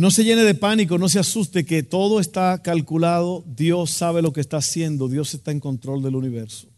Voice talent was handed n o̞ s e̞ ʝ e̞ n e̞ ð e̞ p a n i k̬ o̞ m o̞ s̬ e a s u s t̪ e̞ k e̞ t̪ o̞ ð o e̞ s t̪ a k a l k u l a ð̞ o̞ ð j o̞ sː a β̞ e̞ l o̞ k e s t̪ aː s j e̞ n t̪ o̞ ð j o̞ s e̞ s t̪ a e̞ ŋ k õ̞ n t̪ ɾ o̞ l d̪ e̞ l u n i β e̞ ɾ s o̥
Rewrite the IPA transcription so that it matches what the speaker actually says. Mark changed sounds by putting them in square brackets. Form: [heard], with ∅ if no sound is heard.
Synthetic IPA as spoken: n o̞ s e̞ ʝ e̞ n e̞ ð e̞ p a n i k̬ o̞ [n] o̞ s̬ e a s u s t̪ e̞ k e̞ t̪ o̞ ð o e̞ s t̪ a k a l k u l a ð̞ o̞ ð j o̞ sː a β̞ e̞ l o̞ k e s t̪ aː s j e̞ n [d̪] o̞ ð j o̞ s e̞ s t̪ a e̞ ŋ k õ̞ n t̪ ɾ o̞ l d̪ e̞ l u n i β e̞ ɾ s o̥